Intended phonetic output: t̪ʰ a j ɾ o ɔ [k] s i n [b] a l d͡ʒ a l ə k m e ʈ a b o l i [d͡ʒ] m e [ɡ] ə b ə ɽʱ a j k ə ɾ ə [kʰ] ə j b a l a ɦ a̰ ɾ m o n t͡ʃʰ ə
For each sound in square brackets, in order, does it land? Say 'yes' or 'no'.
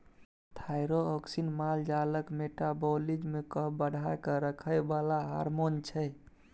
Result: yes, no, yes, no, yes

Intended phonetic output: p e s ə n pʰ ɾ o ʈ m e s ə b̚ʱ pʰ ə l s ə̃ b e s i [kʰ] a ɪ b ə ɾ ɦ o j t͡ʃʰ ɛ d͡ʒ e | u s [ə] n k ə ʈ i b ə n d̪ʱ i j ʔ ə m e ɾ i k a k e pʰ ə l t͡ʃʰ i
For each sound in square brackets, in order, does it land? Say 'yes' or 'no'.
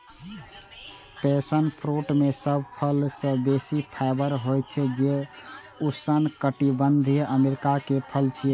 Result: no, yes

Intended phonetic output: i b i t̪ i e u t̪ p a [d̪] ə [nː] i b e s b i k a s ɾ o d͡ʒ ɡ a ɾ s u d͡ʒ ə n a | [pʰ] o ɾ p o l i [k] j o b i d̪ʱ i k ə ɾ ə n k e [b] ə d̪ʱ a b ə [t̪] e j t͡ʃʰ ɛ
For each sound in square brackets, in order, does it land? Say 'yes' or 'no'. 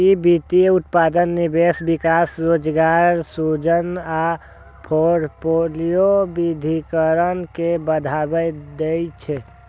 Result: yes, yes, yes, no, yes, no

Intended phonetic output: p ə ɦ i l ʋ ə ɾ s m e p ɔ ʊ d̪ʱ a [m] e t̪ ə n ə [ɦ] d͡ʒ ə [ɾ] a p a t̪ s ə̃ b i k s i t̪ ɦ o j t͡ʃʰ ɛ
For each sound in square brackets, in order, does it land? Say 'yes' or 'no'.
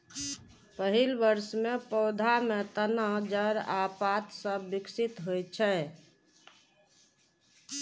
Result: yes, yes, yes

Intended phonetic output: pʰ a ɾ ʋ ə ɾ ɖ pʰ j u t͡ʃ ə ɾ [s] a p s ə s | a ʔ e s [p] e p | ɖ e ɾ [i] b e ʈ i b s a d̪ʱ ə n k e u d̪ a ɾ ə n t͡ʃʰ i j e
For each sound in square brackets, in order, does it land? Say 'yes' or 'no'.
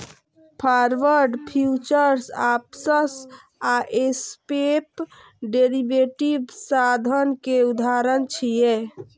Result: yes, yes, yes

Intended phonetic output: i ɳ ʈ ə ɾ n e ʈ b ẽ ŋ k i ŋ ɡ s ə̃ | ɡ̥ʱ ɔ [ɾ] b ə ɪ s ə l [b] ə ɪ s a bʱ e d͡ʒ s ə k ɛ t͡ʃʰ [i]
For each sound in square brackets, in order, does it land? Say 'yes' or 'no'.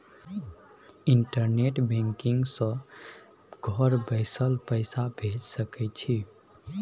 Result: yes, no, yes

